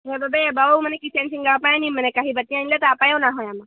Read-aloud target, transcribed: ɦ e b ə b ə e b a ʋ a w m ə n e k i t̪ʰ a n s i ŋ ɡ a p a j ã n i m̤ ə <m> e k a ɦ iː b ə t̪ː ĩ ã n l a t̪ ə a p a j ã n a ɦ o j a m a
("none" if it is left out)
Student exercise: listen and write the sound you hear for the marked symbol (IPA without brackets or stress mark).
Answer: n